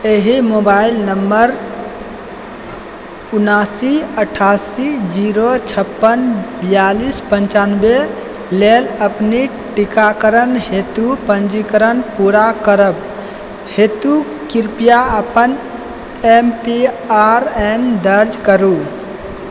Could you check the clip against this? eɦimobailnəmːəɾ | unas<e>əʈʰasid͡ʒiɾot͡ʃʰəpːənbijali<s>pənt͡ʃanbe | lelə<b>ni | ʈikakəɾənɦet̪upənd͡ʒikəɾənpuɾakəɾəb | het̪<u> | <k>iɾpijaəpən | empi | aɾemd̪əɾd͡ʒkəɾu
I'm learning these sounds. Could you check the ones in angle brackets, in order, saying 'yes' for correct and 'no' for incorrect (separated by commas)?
no, yes, no, yes, yes